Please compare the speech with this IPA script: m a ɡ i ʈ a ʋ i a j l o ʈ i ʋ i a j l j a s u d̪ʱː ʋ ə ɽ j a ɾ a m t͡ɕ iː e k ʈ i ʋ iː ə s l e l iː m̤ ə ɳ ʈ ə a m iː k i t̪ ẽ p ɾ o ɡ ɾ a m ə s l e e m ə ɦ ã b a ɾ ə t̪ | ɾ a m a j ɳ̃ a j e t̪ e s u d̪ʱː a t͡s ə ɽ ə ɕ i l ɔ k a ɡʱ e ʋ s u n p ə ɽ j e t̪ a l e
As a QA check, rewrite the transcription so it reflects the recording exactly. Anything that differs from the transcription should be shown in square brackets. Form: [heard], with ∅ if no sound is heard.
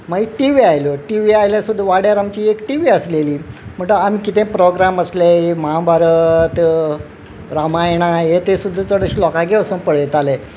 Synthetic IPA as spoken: m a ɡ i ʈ [i] ʋ i a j l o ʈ i ʋ i a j l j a s u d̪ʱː ʋ [a] ɽ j a ɾ a m t͡ɕ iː e k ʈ i ʋ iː ə s l e l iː m̤ ə ɳ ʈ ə a m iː k i t̪ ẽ p ɾ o ɡ ɾ a m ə s l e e m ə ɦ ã b a ɾ ə t̪ | ɾ a m a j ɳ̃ a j e t̪ e s u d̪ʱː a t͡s ə ɽ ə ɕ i l ɔ k a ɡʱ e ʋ s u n p ə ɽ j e t̪ a l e